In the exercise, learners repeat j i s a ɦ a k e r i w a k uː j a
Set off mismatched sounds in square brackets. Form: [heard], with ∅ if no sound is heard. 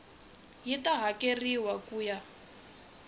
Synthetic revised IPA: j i [t] a ɦ a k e r i w a k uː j a